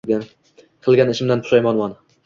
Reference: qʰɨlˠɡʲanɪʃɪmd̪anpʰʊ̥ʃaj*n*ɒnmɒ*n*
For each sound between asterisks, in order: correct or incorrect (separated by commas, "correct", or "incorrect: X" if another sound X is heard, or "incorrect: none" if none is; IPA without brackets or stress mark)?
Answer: incorrect: m, correct